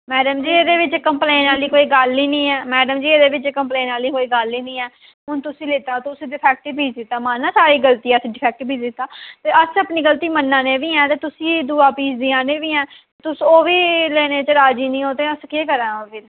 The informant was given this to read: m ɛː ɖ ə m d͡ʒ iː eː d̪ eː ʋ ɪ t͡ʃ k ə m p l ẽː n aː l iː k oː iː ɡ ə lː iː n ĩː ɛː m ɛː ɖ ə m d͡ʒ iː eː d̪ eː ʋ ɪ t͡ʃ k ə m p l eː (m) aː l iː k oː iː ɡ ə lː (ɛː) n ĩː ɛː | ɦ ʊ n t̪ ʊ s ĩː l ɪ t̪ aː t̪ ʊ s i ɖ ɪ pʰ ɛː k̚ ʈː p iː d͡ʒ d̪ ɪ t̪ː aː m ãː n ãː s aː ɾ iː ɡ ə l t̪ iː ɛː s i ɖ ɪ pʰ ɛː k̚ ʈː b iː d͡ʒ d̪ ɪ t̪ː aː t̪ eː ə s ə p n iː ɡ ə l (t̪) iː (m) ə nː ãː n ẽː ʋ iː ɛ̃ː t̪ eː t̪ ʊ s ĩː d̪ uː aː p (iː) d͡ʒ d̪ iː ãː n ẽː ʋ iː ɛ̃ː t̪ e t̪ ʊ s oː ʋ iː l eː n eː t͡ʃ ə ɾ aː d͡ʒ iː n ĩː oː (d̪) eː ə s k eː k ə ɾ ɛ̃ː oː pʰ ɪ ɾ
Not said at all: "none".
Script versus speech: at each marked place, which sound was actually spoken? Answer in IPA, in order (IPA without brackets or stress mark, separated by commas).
n, iː, t̪, m, iː, t̪